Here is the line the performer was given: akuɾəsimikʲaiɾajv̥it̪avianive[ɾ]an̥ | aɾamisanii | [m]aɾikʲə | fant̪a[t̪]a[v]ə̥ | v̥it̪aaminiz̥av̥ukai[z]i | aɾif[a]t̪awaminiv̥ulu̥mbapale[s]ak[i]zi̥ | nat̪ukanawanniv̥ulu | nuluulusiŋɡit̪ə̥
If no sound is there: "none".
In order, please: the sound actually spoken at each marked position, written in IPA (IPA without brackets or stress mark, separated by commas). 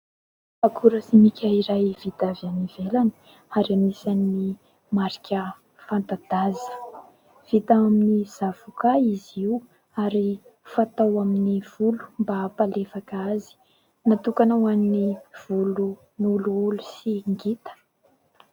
l, m, d̪, z, z, a, f, a